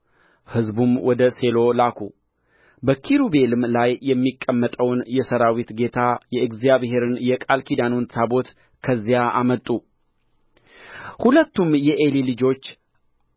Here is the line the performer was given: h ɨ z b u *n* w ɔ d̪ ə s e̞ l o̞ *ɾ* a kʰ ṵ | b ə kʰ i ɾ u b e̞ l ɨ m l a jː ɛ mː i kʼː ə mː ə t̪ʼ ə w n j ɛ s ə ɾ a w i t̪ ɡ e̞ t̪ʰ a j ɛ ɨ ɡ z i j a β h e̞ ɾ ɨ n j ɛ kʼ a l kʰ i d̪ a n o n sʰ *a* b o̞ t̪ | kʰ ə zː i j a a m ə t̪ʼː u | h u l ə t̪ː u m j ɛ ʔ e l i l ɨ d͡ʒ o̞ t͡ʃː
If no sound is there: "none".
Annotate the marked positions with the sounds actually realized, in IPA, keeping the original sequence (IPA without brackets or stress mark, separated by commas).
m, l, a